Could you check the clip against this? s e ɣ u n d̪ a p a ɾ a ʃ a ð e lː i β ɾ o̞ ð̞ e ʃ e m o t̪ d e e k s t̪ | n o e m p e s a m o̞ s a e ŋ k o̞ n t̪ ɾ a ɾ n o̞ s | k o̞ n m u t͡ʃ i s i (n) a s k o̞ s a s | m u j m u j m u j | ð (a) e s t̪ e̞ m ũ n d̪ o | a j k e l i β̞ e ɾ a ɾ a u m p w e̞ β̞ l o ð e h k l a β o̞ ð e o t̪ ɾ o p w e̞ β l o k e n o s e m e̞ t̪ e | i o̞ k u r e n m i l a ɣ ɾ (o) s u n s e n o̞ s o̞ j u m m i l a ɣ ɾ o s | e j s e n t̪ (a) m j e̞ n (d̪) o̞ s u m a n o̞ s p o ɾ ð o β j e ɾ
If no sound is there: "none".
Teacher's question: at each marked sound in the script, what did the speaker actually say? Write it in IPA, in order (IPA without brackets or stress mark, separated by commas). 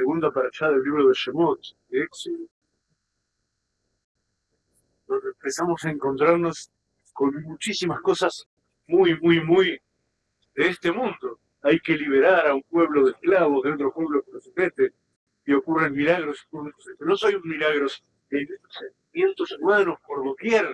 m, e, o, i, t̪